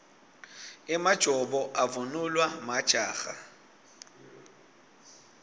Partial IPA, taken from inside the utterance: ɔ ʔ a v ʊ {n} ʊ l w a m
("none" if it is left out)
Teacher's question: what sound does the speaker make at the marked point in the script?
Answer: n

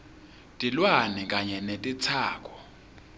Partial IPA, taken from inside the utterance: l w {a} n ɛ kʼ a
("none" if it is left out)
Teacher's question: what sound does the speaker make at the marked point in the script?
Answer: a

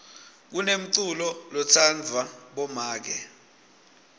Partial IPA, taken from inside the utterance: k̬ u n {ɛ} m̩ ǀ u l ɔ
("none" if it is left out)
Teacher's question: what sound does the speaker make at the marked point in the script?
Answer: e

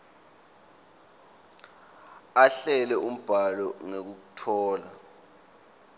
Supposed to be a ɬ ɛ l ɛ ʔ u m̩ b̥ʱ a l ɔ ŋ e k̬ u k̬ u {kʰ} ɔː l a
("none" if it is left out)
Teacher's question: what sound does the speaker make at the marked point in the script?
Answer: tʰ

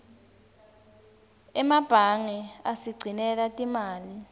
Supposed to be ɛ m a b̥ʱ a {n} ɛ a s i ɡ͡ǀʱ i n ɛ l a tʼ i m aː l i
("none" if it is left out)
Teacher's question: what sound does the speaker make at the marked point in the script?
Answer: ŋ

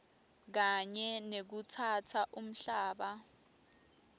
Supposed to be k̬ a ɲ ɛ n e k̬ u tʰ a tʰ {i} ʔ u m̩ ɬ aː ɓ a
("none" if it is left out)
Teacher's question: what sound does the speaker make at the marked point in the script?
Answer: a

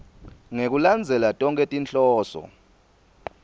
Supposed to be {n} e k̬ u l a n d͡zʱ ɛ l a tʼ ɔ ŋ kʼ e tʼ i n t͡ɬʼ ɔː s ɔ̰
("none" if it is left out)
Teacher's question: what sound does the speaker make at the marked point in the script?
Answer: ŋ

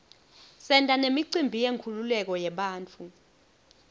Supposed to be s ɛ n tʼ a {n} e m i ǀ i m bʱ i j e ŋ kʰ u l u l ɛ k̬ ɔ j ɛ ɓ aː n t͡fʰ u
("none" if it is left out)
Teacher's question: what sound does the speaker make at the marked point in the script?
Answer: n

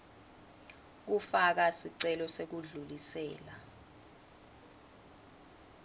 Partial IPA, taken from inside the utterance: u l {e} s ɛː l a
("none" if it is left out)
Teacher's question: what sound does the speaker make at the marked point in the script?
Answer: i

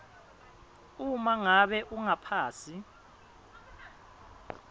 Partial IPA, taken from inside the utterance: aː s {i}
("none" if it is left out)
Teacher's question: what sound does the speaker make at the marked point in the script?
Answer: i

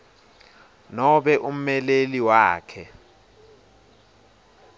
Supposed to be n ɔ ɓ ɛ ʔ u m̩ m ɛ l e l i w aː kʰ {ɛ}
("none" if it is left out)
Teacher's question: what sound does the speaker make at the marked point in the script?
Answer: ɛ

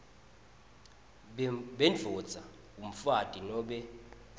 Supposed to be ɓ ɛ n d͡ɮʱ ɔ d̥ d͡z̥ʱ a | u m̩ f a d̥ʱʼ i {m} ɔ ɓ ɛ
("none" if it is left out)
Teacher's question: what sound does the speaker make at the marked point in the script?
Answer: n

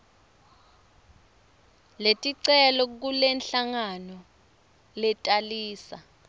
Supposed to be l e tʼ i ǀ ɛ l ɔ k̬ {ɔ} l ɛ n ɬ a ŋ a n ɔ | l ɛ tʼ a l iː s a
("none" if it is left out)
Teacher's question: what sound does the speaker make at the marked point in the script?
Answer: u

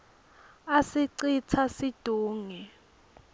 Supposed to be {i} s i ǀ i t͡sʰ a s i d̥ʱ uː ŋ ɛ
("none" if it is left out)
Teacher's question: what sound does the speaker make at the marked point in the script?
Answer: a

